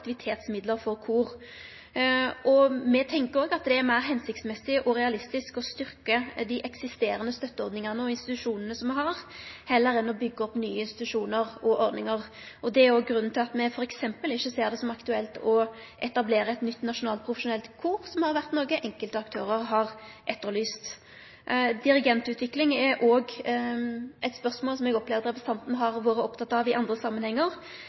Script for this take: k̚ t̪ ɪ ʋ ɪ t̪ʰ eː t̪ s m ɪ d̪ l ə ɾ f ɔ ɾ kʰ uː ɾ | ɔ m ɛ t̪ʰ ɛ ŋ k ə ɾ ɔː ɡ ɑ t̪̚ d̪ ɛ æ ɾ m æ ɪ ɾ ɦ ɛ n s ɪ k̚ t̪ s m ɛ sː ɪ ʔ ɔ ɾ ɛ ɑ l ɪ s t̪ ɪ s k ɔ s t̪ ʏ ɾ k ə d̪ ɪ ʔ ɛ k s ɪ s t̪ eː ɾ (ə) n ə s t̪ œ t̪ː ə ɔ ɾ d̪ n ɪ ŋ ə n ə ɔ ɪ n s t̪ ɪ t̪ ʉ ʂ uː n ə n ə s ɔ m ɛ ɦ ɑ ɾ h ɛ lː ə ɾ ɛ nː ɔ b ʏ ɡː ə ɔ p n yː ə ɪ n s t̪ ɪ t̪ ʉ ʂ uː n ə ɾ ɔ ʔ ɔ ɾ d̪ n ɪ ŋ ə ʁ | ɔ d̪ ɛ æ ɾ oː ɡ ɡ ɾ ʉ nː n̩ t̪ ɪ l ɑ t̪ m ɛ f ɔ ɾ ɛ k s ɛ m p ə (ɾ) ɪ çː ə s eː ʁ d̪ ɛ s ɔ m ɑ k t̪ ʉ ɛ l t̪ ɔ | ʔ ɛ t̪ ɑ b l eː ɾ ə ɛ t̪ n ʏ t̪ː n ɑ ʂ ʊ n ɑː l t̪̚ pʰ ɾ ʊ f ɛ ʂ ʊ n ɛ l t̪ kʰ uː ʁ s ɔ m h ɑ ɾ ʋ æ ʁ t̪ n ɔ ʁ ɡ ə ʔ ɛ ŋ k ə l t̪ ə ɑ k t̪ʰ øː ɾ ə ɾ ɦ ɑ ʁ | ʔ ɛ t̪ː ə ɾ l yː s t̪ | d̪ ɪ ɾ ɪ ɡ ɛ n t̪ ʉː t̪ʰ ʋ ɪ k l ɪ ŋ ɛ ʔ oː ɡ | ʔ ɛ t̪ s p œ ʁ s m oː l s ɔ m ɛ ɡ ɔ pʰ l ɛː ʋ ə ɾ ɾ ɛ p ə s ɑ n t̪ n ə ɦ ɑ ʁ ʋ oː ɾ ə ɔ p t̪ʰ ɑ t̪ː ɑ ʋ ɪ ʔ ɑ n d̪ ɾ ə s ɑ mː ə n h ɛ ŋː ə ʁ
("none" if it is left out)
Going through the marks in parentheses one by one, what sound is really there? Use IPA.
ə, l

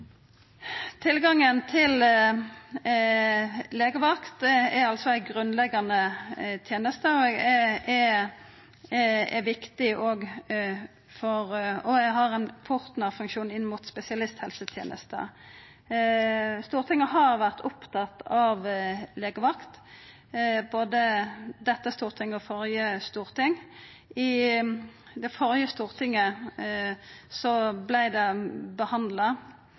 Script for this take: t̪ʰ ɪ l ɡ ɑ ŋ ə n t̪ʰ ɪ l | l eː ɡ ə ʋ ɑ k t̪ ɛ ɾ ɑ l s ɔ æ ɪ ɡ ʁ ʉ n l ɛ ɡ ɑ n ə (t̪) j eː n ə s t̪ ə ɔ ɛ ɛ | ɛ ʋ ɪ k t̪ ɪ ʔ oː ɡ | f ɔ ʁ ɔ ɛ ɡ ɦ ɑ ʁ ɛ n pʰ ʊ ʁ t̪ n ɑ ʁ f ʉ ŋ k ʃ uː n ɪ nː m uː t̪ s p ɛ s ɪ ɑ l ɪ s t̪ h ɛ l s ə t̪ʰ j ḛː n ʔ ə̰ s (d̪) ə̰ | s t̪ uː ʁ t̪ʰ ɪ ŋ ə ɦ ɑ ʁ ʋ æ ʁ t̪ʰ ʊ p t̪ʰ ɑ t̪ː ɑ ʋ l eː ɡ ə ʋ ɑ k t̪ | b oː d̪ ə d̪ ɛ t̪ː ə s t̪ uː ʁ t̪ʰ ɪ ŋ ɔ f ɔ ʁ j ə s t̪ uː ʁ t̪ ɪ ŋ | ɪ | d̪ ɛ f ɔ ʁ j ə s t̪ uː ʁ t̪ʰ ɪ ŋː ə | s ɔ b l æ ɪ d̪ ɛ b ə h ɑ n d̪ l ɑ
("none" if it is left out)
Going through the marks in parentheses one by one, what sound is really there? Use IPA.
t̪ʰ, t̪

